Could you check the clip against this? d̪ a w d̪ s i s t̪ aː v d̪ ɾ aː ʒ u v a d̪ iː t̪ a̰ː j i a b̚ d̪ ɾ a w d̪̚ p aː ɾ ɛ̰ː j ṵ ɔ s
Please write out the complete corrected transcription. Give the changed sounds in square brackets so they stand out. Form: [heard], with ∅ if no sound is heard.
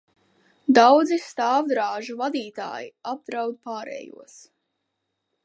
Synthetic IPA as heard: d̪ a w d̪ [z] i s t̪ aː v d̪ ɾ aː ʒ u v a d̪ iː t̪ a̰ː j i a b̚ d̪ ɾ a w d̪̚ p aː ɾ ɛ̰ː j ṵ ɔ s